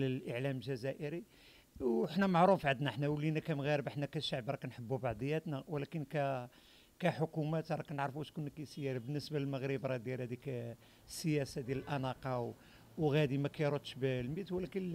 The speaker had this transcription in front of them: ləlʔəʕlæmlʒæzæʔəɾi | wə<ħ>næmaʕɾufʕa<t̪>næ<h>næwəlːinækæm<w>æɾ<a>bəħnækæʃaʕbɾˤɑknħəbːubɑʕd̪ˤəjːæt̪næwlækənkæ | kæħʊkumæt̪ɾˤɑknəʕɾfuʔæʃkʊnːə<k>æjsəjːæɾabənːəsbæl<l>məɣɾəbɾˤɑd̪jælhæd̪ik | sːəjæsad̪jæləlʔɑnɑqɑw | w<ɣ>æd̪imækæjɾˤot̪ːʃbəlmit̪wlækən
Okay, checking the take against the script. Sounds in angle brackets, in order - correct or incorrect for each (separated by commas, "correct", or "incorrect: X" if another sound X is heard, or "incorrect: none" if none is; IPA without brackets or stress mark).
correct, incorrect: d̪, incorrect: ħ, incorrect: ɣ, incorrect: ə, correct, correct, correct